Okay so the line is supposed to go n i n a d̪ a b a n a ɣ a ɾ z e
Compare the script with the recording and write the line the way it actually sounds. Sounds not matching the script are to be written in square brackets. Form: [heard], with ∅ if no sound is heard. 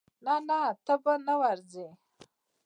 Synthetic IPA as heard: n [a] n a [t̪] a b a n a [w] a ɾ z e